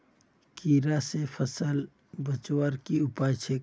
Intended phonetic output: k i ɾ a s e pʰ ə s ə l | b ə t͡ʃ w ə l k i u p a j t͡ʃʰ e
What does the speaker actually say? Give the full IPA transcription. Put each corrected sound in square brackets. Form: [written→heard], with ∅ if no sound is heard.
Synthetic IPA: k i ɾ a s e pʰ ə s ə l | b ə t͡ʃ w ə [l→ɾ] k i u p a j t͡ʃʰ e